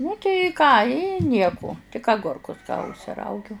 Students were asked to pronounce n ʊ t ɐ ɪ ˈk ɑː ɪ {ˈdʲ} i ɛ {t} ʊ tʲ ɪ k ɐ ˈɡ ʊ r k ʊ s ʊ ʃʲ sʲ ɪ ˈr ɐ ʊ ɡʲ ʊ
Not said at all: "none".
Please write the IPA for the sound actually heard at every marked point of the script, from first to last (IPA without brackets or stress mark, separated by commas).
nʲ, k